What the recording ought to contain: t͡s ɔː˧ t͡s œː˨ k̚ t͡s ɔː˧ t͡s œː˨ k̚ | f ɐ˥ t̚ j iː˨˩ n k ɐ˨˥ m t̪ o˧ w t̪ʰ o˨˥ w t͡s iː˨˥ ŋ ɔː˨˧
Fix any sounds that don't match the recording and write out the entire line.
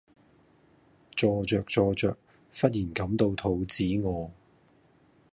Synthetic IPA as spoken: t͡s ɔː˧ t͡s œː˨ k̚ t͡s ɔː˧ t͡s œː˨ k̚ | f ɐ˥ t̚ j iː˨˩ n k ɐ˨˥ m t̪ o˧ w t̪ʰ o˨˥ w t͡s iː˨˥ ŋ ɔː˨˧